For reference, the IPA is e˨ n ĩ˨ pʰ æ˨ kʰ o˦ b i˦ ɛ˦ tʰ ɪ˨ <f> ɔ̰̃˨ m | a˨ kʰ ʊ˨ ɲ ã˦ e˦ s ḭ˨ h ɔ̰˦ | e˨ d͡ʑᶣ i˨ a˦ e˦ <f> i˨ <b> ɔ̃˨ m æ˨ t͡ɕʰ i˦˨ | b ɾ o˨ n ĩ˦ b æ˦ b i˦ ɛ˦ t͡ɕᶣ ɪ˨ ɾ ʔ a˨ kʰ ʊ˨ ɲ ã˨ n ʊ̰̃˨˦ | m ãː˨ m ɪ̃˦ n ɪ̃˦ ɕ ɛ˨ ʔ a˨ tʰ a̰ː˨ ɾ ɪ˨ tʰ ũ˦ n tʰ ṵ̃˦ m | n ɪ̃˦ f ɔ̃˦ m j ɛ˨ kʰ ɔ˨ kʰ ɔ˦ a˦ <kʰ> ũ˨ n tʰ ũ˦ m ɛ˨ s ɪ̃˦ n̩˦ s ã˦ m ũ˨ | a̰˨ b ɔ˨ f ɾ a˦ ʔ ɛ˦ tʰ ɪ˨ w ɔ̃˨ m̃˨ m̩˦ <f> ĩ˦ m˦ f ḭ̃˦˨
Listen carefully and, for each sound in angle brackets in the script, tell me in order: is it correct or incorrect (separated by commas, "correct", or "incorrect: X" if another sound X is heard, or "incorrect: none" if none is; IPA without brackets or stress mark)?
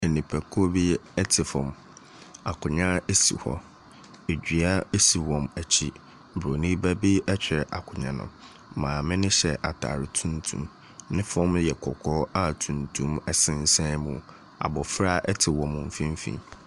correct, incorrect: s, incorrect: w, incorrect: tʰ, correct